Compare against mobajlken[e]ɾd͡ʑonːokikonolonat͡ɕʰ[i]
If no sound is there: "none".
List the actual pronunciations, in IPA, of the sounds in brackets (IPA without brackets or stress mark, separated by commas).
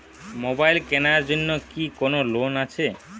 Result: a, e